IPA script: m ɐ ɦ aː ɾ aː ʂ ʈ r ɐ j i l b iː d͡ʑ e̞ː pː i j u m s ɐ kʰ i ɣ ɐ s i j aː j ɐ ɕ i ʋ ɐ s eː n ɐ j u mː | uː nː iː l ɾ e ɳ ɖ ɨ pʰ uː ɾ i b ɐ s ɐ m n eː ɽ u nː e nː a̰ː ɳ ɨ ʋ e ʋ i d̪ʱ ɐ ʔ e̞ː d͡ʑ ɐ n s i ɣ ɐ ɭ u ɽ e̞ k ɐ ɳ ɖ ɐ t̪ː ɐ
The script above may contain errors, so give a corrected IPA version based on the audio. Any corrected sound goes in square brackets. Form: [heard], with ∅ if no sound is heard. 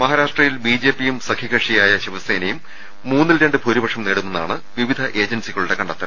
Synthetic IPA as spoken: m ɐ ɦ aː ɾ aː ʂ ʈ r ɐ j i l b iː d͡ʑ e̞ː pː i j u m s ɐ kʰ i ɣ ɐ [ʂ] i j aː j ɐ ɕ i ʋ ɐ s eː n ɐ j u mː | uː nː [i] l ɾ e ɳ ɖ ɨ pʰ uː ɾ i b ɐ [ʂ] ɐ m n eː ɽ u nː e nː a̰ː ɳ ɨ ʋ [i] ʋ i d̪ʱ ɐ ʔ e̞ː d͡ʑ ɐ n s i ɣ ɐ ɭ u ɽ e̞ k ɐ ɳ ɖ ɐ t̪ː ɐ